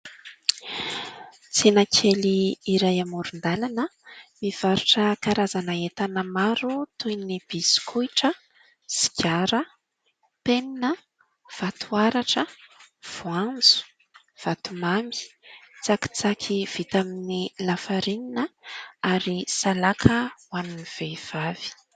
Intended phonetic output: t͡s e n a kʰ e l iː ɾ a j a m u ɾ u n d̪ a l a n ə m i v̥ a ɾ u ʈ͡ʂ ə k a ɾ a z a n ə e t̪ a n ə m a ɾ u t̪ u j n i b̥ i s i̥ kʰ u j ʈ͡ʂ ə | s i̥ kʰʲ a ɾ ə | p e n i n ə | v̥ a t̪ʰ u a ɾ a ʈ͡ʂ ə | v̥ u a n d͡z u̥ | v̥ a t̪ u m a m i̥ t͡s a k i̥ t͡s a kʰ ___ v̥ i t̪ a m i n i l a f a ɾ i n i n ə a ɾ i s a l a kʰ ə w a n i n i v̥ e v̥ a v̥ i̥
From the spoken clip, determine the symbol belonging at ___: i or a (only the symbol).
i